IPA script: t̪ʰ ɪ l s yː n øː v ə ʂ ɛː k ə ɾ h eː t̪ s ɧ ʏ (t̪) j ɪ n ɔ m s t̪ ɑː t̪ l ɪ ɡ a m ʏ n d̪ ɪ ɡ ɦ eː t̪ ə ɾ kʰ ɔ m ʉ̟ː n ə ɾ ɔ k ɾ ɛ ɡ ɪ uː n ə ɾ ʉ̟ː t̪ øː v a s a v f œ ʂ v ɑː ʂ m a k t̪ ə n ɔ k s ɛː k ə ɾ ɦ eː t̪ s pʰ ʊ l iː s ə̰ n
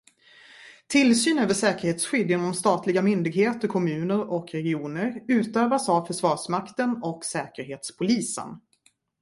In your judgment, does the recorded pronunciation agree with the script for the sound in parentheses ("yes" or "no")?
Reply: no